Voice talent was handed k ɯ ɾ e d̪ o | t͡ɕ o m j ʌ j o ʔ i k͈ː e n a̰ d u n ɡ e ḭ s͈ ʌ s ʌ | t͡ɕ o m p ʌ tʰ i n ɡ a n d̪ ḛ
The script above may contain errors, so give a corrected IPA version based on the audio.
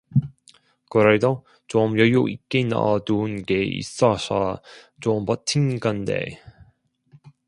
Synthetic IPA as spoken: k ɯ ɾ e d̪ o | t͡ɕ o m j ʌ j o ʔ i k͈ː e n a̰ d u n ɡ e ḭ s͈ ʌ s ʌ | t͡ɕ o m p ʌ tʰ i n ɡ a n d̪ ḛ